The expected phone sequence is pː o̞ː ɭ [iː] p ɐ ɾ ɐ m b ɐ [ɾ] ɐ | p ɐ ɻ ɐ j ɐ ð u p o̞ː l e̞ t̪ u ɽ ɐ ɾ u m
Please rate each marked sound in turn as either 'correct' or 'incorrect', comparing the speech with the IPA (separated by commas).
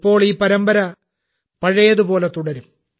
correct, correct